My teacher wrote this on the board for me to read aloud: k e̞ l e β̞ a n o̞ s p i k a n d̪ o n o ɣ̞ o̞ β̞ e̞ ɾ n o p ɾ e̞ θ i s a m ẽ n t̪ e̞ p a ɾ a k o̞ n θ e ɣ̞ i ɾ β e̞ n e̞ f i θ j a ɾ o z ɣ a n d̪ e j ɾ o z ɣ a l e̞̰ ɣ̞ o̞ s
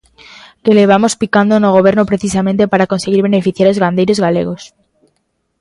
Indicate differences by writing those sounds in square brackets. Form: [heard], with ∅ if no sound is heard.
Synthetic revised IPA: k e̞ l e β̞ a [m] o̞ s p i k a n d̪ o n o ɣ̞ o̞ β̞ e̞ ɾ n o p ɾ e̞ θ i s a m ẽ n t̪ e̞ p a ɾ a k o̞ n [s] e ɣ̞ i ɾ β e̞ n e̞ f i θ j a ɾ o z ɣ a n d̪ e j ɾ o z ɣ a l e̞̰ ɣ̞ o̞ s